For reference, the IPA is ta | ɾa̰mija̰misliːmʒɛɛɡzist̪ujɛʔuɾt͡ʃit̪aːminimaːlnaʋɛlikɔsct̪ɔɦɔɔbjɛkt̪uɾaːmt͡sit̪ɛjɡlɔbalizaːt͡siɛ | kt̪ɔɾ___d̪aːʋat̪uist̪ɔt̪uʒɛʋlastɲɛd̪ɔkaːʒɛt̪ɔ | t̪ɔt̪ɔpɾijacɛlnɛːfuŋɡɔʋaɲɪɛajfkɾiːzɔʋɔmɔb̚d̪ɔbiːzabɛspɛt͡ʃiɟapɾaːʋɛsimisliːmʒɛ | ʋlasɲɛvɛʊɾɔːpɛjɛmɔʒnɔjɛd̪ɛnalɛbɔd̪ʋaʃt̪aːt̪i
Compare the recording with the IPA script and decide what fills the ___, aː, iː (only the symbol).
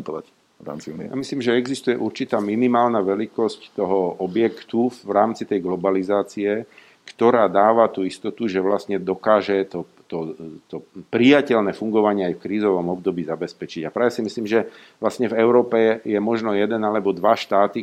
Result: aː